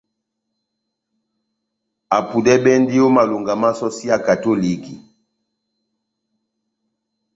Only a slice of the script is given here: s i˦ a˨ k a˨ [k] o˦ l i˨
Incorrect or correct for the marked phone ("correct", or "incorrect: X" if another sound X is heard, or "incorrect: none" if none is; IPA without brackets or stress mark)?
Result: incorrect: t